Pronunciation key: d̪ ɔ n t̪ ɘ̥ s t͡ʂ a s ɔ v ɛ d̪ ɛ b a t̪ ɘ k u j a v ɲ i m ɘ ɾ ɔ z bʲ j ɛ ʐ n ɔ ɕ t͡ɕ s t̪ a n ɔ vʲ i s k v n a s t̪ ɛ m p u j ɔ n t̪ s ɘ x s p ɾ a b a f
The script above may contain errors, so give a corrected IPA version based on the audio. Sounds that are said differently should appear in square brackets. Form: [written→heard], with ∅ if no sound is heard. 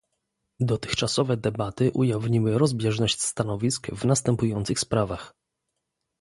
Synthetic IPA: d̪ ɔ [n→∅] t̪ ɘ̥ [s→x] t͡ʂ a s ɔ v ɛ d̪ ɛ b a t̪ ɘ [k→ʔ] u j a v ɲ i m ɘ ɾ ɔ z bʲ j ɛ ʐ n ɔ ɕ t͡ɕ s t̪ a n ɔ vʲ i s k v n a s t̪ ɛ m p u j ɔ n t̪ s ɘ x s p ɾ a [b→v] a [f→x]